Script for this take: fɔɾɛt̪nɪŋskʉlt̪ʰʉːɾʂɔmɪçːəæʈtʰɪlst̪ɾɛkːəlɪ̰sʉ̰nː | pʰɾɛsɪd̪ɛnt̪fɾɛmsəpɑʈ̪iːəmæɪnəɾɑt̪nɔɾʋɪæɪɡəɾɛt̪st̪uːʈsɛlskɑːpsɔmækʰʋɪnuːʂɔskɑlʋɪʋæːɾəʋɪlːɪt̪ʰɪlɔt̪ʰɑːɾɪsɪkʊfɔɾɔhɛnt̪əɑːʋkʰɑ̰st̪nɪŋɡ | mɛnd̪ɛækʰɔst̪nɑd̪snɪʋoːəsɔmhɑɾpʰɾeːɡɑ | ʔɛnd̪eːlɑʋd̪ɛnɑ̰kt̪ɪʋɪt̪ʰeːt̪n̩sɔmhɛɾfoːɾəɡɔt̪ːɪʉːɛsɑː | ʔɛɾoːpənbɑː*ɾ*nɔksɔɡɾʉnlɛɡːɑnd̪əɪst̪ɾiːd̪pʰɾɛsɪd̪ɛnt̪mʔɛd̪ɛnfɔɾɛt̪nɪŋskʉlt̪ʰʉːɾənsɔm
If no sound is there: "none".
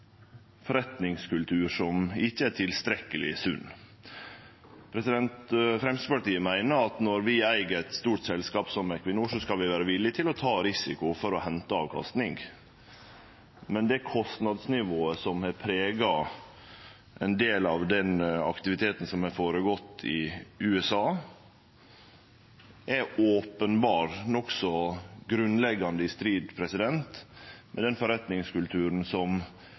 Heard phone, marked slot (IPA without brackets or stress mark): ɾ